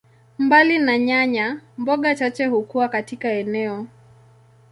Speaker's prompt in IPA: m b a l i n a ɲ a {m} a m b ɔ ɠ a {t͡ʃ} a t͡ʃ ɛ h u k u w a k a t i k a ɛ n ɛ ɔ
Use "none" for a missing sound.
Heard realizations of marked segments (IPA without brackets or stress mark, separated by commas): ɲ, t͡ʃ